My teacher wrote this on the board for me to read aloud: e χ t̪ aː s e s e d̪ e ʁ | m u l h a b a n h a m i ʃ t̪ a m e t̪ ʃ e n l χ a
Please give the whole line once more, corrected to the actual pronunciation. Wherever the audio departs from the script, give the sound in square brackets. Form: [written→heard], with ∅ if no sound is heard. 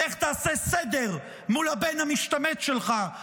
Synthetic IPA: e χ t̪ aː s e s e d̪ e ʁ | m u l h a b [a→e] n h a m i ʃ t̪ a m e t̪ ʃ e [n→∅] l χ a